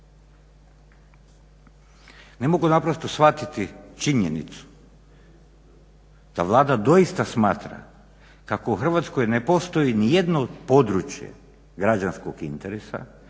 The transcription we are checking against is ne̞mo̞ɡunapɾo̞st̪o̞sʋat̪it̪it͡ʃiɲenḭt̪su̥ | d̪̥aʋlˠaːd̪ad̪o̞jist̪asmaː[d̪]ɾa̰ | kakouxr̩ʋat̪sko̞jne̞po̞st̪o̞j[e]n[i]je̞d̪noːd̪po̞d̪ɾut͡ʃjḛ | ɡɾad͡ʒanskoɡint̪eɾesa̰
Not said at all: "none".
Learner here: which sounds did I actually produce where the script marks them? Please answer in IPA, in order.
t̪, i, i

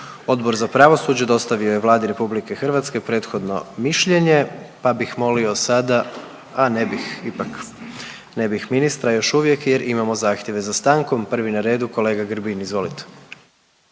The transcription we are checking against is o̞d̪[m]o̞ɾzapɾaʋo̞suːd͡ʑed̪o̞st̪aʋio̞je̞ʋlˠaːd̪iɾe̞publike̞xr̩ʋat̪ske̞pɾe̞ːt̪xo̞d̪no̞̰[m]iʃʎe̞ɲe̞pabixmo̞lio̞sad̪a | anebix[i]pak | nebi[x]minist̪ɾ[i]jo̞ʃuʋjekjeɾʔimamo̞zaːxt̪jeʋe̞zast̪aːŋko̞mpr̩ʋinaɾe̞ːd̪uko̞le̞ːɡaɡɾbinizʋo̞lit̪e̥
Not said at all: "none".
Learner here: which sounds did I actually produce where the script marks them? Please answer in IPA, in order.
b, m, i, x, a

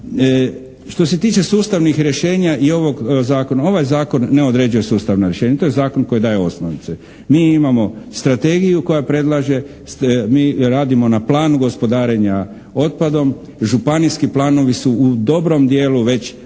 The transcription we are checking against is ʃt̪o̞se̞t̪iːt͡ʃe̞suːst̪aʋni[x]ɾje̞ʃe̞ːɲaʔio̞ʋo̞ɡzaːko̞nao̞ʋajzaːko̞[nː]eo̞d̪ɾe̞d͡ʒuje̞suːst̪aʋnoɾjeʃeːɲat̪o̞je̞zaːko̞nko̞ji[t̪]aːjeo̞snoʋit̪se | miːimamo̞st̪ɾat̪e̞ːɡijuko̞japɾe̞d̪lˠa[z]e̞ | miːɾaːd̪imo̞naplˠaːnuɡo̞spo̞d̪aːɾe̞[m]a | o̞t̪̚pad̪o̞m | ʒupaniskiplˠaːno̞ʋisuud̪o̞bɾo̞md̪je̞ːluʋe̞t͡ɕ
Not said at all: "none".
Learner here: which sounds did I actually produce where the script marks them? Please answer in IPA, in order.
x, nː, d̪, ʒ, ɲ

